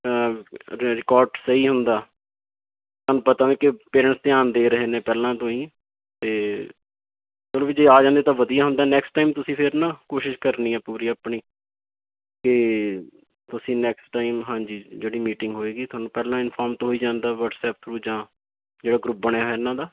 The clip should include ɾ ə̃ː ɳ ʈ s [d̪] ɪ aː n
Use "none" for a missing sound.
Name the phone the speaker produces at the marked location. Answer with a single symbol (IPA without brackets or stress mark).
t̪